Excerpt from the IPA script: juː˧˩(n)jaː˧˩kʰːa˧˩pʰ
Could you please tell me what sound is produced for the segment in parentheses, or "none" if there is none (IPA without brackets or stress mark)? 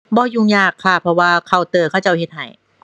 ŋ